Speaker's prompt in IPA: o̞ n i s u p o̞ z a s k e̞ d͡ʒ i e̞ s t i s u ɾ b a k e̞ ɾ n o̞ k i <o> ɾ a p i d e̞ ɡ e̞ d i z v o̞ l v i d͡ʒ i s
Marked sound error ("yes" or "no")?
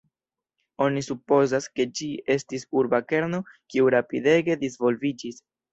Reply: yes